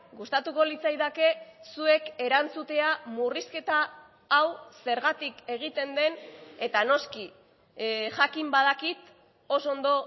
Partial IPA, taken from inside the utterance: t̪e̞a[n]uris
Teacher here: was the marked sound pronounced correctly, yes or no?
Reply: no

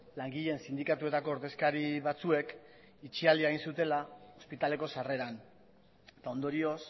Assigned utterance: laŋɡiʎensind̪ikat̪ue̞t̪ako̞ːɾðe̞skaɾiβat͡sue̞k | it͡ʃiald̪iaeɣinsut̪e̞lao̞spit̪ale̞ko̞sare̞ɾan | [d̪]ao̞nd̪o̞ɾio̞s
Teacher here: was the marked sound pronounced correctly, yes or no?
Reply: no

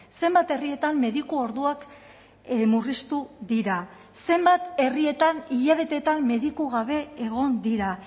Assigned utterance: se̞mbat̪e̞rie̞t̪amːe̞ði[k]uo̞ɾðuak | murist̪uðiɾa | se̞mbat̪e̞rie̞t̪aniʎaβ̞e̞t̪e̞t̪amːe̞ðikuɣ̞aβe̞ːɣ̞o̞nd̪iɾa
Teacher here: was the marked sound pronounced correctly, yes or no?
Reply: yes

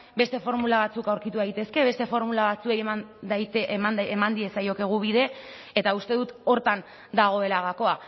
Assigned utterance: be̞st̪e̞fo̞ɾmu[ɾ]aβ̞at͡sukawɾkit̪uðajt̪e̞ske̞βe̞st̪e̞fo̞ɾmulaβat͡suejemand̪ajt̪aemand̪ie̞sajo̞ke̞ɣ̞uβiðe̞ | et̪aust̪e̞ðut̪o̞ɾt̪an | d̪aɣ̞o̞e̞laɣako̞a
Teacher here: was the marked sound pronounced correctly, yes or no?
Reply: no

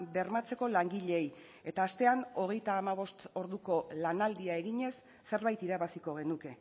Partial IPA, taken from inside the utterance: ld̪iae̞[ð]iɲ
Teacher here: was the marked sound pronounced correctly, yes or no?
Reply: no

